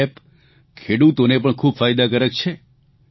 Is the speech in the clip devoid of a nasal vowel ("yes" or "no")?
yes